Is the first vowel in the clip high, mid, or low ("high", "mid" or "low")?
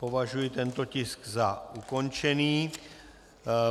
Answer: mid